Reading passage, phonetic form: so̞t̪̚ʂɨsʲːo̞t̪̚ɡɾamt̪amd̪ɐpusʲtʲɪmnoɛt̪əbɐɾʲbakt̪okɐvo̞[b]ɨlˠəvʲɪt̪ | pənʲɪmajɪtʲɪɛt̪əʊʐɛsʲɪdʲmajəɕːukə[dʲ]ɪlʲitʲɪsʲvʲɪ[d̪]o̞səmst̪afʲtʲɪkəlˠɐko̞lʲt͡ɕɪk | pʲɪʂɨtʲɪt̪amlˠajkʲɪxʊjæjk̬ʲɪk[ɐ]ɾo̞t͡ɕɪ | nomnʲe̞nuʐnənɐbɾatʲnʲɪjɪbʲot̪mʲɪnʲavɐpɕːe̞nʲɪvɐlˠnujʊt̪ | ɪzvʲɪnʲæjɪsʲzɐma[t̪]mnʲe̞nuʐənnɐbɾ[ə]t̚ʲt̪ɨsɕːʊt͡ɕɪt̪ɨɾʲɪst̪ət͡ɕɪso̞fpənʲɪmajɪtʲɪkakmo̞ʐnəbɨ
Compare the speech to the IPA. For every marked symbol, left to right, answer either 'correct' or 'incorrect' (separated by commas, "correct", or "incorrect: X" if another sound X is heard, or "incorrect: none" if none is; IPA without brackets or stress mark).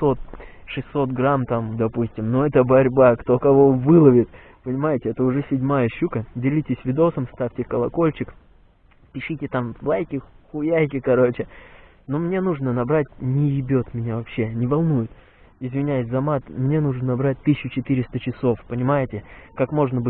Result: incorrect: v, correct, correct, correct, correct, incorrect: a